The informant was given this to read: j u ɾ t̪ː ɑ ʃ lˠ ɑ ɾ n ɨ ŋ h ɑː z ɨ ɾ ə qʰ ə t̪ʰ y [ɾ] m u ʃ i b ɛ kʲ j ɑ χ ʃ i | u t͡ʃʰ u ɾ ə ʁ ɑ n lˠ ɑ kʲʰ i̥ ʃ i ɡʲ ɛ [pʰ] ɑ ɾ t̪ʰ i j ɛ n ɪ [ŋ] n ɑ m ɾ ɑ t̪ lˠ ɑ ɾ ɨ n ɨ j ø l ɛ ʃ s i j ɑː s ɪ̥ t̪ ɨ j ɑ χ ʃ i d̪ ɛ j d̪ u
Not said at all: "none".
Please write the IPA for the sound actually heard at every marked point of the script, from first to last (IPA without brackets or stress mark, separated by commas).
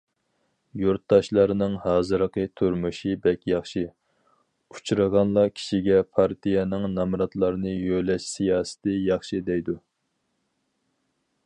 ɾ, pʰ, ŋ